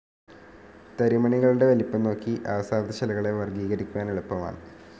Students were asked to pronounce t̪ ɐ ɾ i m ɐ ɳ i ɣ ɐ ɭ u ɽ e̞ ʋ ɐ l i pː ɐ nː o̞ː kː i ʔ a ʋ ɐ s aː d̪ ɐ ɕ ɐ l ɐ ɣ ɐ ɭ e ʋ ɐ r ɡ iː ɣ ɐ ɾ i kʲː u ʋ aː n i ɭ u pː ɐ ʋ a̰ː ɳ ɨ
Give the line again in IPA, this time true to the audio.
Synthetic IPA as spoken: t̪ ɐ ɾ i m ɐ ɳ i ɣ ɐ ɭ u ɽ e̞ ʋ ɐ l i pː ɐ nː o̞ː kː i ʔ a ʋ ɐ s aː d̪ ɐ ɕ ɐ l ɐ ɣ ɐ ɭ e ʋ ɐ r ɡ iː ɣ ɐ ɾ i kʲː u ʋ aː n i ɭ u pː ɐ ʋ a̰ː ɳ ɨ